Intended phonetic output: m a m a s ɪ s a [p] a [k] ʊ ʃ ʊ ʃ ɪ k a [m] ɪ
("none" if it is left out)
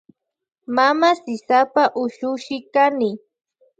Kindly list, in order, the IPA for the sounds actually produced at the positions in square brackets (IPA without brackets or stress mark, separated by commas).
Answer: p, ʔ, n